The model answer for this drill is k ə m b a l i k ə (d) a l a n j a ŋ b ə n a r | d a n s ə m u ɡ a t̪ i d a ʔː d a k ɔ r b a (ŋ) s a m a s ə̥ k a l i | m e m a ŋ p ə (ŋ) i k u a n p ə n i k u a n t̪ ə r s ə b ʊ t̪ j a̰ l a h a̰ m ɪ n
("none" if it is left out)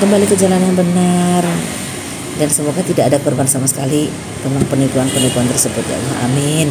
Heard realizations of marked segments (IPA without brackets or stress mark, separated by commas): d͡ʒ, n, n